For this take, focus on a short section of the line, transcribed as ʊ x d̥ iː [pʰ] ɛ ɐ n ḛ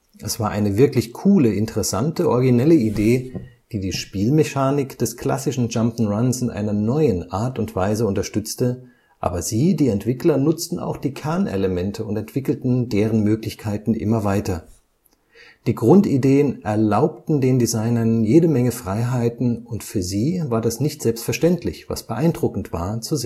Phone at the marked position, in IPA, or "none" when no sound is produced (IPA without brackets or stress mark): kʰ